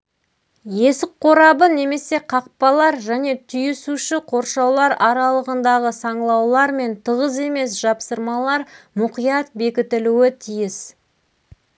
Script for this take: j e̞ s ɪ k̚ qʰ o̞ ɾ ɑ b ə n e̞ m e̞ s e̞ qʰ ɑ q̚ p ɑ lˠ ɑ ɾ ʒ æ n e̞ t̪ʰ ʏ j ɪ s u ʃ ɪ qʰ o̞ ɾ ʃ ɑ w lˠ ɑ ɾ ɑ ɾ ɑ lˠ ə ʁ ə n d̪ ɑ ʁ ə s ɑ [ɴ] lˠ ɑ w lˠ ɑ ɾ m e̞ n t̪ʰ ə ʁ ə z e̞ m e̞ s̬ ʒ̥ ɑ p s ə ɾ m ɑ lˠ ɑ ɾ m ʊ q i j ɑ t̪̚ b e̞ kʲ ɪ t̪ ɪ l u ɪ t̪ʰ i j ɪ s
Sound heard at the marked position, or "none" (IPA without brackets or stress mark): ɴ